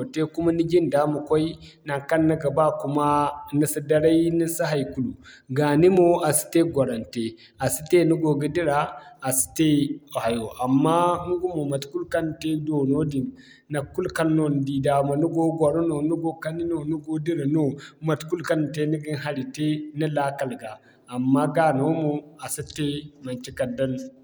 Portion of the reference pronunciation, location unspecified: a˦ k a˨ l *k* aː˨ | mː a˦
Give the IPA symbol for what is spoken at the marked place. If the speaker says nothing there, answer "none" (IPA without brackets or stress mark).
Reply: ɡ